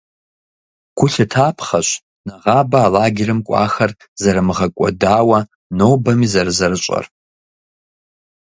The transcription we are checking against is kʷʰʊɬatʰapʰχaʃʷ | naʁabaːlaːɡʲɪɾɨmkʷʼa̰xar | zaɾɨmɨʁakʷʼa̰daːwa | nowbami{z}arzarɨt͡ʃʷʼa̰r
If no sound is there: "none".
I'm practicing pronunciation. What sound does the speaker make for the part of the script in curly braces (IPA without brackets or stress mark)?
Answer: z